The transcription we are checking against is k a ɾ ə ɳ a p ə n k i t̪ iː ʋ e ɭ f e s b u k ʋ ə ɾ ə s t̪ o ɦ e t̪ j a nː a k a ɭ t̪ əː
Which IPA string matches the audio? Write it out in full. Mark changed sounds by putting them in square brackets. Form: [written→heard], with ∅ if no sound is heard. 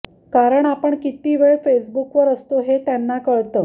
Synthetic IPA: k a ɾ ə ɳ a p ə [n→ɳ] k i t̪ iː ʋ e ɭ f e s b u k ʋ ə ɾ ə s t̪ o ɦ e t̪ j a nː a k [a→ə] ɭ t̪ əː